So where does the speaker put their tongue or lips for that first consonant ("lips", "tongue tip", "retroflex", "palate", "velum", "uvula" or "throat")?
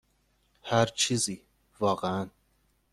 throat